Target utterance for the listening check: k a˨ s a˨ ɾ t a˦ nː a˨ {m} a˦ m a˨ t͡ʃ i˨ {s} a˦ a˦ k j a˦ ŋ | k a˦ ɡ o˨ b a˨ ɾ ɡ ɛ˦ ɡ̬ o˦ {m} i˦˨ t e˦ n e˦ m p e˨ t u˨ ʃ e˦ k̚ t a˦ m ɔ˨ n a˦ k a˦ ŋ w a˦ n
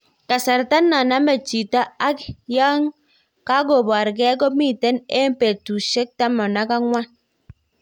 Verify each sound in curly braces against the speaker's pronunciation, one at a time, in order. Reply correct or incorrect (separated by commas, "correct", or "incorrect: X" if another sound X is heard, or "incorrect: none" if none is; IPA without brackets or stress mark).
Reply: incorrect: n, incorrect: t, correct